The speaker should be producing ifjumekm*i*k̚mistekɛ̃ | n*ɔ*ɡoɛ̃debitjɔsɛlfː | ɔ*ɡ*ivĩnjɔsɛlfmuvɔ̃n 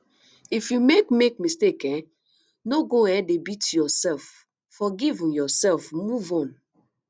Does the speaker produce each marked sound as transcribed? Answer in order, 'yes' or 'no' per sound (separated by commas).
no, no, yes